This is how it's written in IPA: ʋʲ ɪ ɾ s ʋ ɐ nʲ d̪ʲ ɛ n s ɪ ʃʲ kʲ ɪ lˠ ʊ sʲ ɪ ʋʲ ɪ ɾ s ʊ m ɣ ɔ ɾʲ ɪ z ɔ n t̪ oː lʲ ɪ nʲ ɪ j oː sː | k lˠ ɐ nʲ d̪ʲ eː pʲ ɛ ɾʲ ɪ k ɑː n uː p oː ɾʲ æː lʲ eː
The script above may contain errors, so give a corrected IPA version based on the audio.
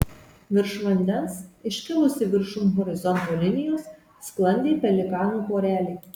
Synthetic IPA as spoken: ʋʲ ɪ ɾ ʃ ʋ ɐ nʲ d̪ʲ ɛ n s ɪ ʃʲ kʲ ɪ lˠ ʊ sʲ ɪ ʋʲ ɪ ɾ ʃ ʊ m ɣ ɔ ɾʲ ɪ z ɔ n t̪ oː lʲ ɪ nʲ ɪ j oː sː | k lˠ ɐ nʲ d̪ʲ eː pʲ ɛ lʲ ɪ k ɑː n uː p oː ɾʲ æː lʲ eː

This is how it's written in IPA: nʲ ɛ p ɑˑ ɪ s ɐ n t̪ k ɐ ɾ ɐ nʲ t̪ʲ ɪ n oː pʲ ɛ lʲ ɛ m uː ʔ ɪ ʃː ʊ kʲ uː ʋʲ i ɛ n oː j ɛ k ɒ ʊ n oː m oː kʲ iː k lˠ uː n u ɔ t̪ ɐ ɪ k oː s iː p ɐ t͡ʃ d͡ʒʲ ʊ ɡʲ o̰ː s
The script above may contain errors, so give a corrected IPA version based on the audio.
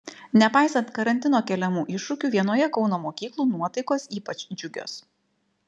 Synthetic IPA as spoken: nʲ ɛ p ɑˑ ɪ s ɐ n t̪ k ɐ ɾ ɐ nʲ t̪ʲ ɪ n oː kʲ ɛ lʲ ɛ m uː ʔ ɪ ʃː ʊ kʲ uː ʋʲ i ɛ n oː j ɛ k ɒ ʊ n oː m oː kʲ iː k lˠ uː n u ɔ t̪ ɐ ɪ k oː s iː p ɐ t͡ʃ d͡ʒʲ ʊ ɡʲ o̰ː s

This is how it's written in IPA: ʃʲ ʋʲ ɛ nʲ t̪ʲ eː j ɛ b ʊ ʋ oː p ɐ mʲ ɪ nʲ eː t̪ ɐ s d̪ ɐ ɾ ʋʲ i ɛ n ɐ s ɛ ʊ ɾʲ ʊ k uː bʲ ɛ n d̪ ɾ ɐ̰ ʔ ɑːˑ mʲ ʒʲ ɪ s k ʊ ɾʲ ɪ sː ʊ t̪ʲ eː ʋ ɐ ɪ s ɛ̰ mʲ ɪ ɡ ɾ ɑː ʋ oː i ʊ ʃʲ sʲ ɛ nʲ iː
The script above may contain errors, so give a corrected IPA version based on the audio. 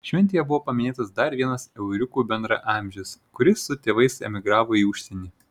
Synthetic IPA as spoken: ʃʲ ʋʲ ɛ nʲ t̪ʲ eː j ɛ b ʊ ʋ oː p ɐ mʲ ɪ nʲ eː t̪ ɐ s d̪ ɐ ɾ ʋʲ i ɛ n ɐ s ɛ ʊ ɾʲ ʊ k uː bʲ ɛ n d̪ ɾ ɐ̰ ʔ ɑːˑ mʲ ʒʲ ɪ s k ʊ ɾʲ ɪ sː ʊ t̪ʲ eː ʋ ɐ ɪ s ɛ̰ mʲ ɪ ɡ ɾ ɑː ʋ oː i ʊ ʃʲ sʲ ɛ nʲ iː

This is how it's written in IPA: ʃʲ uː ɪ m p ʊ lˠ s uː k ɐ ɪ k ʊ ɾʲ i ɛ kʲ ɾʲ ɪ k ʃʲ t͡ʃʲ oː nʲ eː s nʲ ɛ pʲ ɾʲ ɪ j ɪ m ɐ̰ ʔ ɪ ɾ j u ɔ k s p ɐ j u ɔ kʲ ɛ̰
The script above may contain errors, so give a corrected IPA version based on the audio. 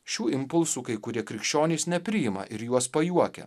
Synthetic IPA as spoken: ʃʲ uː ɪ m p ʊ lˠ s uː k ɐ ɪ k ʊ ɾʲ i ɛ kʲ ɾʲ ɪ k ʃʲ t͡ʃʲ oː nʲ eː s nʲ ɛ pʲ ɾʲ ɪ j ɪ m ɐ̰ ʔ ɪ ɾ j u ɔ s p ɐ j u ɔ kʲ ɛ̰

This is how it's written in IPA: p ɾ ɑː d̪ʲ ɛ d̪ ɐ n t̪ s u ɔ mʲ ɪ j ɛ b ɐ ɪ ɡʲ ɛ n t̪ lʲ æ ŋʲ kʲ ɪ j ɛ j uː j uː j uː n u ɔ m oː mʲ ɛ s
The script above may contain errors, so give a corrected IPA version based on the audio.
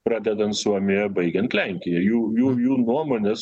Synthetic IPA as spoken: p ɾ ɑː d̪ʲ ɛ d̪ ɐ n t̪ s u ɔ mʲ ɪ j ɛ b ɐ ɪ ɡʲ ɛ n t̪ lʲ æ ŋʲ kʲ ɪ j ɛ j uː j uː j uː n u ɔ m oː nʲ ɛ s

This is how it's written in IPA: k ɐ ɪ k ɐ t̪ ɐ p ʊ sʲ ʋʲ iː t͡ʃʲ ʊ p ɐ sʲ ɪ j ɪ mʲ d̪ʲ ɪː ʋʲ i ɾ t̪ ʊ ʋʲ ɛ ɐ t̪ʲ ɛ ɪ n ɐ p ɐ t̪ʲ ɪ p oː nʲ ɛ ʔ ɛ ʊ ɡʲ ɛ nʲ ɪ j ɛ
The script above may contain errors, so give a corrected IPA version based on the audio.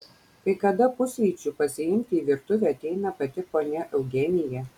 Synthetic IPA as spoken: k ɐ ɪ k ɐ d̪ ɐ p ʊ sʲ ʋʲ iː t͡ʃʲ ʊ p ɐ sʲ ɪ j ɪ mʲ t̪ʲ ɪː ʋʲ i ɾ t̪ ʊ ʋʲ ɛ ɐ t̪ʲ ɛ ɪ n ɐ p ɐ t̪ʲ ɪ p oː nʲ ɛ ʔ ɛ ʊ ɡʲ ɛ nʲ ɪ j ɛ

